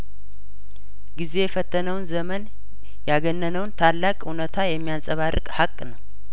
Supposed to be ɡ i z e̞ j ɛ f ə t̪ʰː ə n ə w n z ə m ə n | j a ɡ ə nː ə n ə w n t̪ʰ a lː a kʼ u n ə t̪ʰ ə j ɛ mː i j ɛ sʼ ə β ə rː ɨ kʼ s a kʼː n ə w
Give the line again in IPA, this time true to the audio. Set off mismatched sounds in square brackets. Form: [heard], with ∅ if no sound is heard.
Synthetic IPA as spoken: ɡ i z e̞ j ɛ f ə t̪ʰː ə n ə w n z ə m ə n | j a ɡ ə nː ə n ə w n t̪ʰ a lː a kʼ u n ə t̪ʰ [a] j ɛ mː i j [a] sʼ ə β [a] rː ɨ kʼ [h] a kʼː n ə w